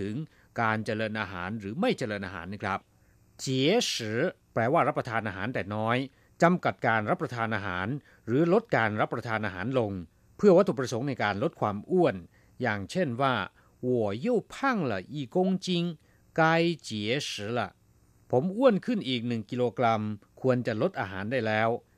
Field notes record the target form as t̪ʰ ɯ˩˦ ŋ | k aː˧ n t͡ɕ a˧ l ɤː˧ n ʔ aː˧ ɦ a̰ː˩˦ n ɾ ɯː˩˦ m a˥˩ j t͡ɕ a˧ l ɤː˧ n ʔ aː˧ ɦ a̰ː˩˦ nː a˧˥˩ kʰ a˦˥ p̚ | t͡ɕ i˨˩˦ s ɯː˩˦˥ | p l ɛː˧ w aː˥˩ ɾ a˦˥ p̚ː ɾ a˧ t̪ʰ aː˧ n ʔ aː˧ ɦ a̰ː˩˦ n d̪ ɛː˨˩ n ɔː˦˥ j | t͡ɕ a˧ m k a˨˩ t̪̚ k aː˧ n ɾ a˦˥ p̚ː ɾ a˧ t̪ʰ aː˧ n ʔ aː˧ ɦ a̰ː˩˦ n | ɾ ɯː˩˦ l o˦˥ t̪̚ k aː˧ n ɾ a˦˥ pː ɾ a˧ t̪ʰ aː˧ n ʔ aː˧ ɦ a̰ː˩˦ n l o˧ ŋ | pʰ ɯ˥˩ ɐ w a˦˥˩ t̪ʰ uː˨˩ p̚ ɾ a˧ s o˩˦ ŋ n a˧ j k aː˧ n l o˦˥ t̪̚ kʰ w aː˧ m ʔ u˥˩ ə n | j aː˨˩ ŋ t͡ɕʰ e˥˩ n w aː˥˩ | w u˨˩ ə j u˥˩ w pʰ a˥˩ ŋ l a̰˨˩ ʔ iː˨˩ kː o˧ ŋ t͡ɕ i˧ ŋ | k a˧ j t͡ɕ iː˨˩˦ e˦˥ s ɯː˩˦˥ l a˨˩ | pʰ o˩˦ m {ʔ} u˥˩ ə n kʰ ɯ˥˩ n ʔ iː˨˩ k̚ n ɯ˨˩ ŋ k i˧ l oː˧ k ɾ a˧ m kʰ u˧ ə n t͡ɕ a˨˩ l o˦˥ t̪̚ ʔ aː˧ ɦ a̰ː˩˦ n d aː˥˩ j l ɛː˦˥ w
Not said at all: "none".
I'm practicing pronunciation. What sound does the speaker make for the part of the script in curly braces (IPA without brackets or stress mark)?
ʔ